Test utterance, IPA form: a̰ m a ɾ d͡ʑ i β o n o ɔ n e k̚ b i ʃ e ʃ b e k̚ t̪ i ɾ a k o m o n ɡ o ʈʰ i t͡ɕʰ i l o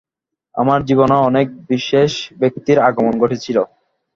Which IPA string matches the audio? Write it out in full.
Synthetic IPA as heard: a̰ m a ɾ d͡ʑ i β o n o ɔ n e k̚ b i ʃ e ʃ b e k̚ t̪ i ɾ a ɡ o m o n ɡ o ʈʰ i t͡ɕʰ i l o